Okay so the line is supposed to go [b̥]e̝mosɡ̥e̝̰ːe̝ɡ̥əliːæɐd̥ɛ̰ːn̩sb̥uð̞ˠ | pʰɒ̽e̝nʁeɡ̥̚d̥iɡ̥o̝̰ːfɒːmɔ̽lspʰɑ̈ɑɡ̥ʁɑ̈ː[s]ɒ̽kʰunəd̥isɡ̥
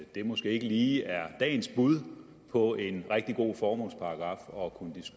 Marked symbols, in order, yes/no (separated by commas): no, no